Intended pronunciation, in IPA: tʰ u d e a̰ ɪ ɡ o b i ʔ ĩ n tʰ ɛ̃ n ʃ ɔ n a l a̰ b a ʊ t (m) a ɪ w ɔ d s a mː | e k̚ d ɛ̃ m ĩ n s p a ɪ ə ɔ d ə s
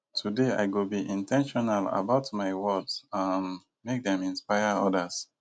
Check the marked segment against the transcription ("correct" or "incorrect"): correct